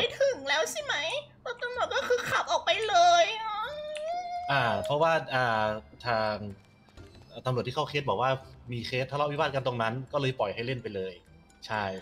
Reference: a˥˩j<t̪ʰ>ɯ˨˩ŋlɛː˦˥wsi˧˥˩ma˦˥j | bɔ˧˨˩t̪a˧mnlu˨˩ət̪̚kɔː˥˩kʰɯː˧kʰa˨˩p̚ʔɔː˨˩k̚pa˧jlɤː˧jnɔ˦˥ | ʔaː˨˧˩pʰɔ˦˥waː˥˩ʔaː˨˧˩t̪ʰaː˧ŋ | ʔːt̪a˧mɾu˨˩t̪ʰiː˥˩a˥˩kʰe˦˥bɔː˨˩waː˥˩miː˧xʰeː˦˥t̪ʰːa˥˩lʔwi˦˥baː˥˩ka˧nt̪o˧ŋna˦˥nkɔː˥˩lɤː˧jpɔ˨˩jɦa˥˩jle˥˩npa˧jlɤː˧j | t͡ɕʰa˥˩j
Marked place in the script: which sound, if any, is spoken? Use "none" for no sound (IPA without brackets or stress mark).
t̪ʰ